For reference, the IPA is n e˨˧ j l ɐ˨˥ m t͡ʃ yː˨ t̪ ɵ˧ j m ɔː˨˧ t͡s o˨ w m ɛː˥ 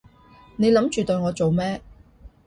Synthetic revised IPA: n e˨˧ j l ɐ˨˥ m t͡ʃ yː˨ t̪ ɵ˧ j ŋ ɔː˨˧ t͡s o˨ w m ɛː˥

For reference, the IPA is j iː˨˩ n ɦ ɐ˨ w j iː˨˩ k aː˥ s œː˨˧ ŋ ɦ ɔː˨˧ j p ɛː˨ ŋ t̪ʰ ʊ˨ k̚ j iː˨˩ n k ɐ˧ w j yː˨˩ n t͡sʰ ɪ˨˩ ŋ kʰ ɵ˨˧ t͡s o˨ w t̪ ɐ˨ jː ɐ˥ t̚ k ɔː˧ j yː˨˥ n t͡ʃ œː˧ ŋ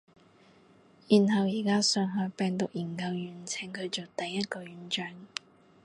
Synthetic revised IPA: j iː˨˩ n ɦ ɐ˨ w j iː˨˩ k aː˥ s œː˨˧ ŋ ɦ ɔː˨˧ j p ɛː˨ ŋ t̪ ʊ˨ k̚ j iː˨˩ n k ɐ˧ w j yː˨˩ n t͡sʰ ɪ˨˩ ŋ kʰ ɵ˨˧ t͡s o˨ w t̪ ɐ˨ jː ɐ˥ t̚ k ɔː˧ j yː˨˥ n t͡ʃ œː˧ ŋ

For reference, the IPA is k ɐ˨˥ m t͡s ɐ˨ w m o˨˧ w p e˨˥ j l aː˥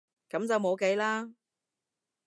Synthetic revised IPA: k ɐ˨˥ m t͡s ɐ˨ w m o˨˧ w k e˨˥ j l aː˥

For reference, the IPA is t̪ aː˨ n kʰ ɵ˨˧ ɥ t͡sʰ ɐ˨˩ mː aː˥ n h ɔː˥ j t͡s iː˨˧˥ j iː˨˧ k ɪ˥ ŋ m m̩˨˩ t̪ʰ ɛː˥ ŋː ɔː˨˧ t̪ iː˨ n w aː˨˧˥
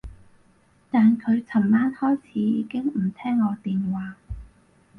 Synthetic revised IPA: t̪ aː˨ n kʰ ɵ˨˧ ɥ t͡sʰ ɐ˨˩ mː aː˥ n h ɔː˥ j t͡sʰ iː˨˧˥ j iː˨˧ k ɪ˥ ŋ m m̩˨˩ t̪ʰ ɛː˥ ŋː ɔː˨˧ t̪ iː˨ n w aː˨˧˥

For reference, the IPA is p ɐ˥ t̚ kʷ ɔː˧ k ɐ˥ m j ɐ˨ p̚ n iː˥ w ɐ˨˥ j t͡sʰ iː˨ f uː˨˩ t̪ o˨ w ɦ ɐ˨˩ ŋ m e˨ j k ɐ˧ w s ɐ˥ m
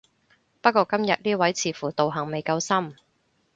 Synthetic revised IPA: p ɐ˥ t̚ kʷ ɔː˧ k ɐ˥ m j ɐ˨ t̚ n iː˥ w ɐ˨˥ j t͡sʰ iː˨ f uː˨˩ t̪ o˨ w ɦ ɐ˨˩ ŋ m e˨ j k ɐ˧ w s ɐ˥ m

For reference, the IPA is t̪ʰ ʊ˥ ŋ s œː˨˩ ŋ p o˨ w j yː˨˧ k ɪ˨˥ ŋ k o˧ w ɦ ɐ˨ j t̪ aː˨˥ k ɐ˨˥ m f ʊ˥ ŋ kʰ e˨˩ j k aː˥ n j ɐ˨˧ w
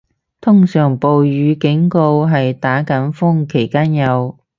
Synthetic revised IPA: t̪ʰ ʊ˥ ŋ s œː˨˩ ŋ p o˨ w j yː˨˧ k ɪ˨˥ ŋ k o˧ w ɦ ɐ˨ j t̪ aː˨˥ k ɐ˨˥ n f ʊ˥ ŋ kʰ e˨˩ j k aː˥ n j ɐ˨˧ w

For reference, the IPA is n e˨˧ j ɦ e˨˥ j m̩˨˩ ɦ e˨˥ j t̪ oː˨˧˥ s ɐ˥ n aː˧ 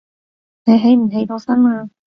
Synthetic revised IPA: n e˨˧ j ɦ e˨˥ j m̩˨˩ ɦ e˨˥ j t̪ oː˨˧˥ s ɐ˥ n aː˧

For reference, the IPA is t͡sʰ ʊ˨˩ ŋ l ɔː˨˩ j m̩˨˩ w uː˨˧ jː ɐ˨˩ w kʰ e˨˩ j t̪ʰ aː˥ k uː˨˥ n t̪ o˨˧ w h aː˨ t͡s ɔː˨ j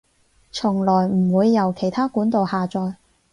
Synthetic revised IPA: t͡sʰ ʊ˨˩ ŋ l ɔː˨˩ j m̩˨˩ w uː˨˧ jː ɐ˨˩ w kʰ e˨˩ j t̪ʰ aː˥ k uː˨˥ n t̪ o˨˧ w h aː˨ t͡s ɔː˨ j

